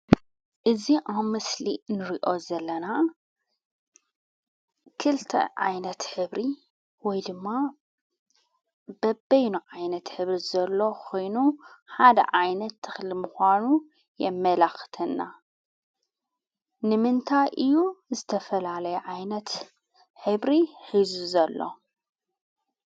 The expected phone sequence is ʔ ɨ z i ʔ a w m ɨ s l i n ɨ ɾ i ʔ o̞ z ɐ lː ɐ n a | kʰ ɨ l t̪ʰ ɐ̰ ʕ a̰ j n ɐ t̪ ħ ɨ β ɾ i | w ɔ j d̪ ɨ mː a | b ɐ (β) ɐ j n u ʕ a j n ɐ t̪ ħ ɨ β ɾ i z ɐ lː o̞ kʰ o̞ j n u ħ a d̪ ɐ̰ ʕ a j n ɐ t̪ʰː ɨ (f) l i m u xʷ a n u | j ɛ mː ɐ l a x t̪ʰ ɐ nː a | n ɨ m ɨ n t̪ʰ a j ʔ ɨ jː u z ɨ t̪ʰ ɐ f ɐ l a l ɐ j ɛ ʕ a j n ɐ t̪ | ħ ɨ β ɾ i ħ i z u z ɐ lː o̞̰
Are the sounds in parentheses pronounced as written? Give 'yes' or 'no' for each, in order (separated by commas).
no, no